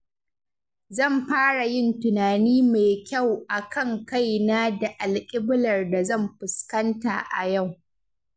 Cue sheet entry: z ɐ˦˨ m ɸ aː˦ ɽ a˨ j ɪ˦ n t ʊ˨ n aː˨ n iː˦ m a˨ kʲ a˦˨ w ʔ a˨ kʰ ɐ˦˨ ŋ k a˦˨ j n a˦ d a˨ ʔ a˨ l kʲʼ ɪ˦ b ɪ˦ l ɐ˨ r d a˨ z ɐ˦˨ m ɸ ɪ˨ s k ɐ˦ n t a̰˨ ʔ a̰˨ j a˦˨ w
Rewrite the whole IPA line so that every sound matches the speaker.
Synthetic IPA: z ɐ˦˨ m ɸ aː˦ ɽ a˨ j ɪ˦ n t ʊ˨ n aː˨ n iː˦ m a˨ kʲ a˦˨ w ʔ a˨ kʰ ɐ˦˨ ŋ k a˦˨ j n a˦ d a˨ ʔ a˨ l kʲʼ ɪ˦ b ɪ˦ l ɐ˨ r d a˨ z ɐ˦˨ m ɸ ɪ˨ s k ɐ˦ n t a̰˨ ʔ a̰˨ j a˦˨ w